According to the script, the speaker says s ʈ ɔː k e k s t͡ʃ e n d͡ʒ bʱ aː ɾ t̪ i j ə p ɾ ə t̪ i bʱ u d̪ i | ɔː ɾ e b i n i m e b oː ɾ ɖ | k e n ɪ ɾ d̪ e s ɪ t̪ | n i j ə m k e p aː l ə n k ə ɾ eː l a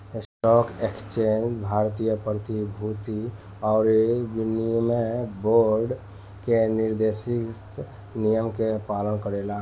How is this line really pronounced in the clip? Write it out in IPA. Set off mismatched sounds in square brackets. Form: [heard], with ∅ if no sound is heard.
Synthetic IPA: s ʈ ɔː k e k s t͡ʃ e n d͡ʒ bʱ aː ɾ t̪ i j ə p ɾ ə t̪ i bʱ u [t̪] i | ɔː ɾ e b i n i m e b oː ɾ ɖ | k e n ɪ ɾ d̪ e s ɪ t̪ | n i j ə m k e p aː l ə n k ə ɾ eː l a